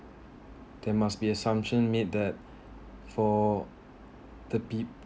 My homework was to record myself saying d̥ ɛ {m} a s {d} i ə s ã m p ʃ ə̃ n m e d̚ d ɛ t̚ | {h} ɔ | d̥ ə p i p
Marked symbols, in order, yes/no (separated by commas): yes, no, no